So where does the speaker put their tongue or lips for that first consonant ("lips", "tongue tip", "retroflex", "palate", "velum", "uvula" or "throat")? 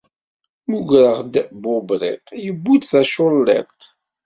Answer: lips